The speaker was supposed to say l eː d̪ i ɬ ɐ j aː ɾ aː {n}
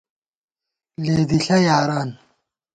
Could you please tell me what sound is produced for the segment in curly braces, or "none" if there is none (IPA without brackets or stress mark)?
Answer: n